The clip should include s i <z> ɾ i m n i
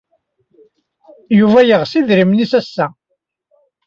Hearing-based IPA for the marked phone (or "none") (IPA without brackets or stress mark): ð